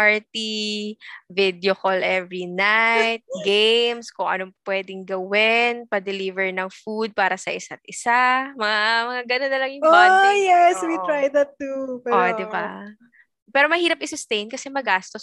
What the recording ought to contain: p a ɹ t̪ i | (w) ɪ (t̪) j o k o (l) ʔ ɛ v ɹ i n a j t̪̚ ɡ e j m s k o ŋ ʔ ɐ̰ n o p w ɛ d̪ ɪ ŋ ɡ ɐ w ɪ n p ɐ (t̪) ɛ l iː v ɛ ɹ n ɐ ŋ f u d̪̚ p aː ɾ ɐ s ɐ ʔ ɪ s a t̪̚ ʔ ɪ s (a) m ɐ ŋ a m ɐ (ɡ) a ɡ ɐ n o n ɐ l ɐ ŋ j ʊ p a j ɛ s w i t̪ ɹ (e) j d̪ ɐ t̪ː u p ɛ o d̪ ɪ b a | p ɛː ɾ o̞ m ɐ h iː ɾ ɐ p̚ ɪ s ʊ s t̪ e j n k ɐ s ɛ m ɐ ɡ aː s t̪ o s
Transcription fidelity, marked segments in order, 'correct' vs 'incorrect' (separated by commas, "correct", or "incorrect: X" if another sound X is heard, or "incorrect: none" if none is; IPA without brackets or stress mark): incorrect: v, incorrect: d̪, correct, incorrect: d̪, correct, incorrect: ŋ, incorrect: a